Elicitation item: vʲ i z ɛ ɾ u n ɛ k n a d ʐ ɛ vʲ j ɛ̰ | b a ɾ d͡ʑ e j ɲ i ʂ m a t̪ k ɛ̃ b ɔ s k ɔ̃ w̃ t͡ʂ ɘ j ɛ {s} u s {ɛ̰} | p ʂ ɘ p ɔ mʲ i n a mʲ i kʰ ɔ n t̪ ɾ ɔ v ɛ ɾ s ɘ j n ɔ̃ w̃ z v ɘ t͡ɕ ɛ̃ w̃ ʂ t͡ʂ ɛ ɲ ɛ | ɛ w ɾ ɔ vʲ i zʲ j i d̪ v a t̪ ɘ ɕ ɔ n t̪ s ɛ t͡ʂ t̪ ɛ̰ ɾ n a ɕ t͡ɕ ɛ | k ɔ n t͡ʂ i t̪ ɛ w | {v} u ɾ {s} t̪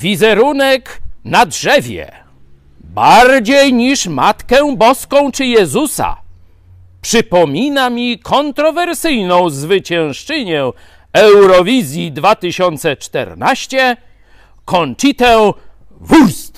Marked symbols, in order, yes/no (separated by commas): no, no, yes, yes